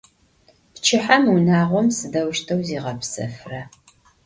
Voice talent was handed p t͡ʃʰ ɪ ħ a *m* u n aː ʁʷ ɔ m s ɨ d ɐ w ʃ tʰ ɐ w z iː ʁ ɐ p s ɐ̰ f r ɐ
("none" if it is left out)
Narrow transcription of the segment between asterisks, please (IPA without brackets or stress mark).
m